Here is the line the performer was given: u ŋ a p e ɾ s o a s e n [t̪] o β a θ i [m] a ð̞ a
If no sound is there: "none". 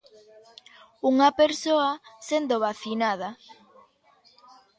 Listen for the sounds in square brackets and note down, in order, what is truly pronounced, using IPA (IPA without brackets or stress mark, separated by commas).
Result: d̪, n